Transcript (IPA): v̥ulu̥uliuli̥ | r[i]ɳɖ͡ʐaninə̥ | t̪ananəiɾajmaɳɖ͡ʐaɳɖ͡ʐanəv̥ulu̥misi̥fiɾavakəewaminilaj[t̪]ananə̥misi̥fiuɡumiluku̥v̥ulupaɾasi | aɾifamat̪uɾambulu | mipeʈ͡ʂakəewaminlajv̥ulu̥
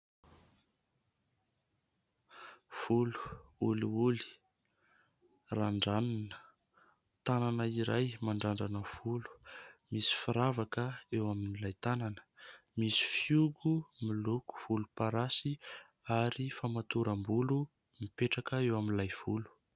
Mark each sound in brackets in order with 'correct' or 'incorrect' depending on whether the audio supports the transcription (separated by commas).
incorrect, correct